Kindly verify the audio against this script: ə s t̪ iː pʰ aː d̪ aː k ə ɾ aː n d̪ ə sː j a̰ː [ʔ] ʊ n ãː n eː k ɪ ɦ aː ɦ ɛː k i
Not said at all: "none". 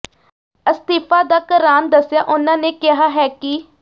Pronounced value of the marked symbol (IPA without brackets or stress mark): ʔ